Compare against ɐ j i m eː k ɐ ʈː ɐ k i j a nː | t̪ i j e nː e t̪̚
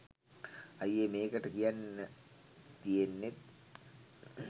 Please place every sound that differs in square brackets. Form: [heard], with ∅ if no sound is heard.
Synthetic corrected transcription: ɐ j [e] m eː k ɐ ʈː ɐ k i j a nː | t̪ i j e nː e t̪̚